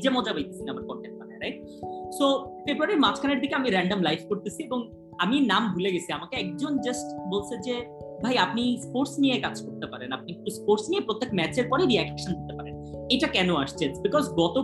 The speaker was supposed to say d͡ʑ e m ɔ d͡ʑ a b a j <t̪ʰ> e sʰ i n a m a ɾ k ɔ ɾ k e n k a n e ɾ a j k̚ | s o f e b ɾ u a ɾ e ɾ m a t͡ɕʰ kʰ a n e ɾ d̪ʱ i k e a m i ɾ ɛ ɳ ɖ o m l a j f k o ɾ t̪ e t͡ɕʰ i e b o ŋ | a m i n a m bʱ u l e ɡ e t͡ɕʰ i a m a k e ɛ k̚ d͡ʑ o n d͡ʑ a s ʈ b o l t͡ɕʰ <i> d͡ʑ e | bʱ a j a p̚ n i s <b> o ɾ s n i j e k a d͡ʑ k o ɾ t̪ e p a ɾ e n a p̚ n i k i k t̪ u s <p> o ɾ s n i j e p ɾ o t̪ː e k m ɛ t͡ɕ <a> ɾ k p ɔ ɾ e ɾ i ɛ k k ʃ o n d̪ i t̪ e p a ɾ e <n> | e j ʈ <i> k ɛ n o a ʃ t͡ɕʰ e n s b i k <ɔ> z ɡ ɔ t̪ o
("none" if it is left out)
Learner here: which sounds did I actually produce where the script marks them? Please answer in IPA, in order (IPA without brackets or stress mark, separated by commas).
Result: t̪, e, p, p, e, n, a, ɔ